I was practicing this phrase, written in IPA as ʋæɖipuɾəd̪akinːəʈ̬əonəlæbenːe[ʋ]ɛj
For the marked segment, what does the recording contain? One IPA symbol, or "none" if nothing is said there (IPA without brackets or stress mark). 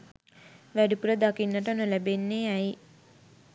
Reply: none